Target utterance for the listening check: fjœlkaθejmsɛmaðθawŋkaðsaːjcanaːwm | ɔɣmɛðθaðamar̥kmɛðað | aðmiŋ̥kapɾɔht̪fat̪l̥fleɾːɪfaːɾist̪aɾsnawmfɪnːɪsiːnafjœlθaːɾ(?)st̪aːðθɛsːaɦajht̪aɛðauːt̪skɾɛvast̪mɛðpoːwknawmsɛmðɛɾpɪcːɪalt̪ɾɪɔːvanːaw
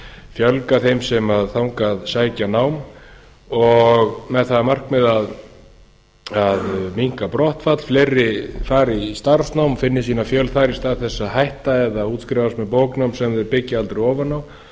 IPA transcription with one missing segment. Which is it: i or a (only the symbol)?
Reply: i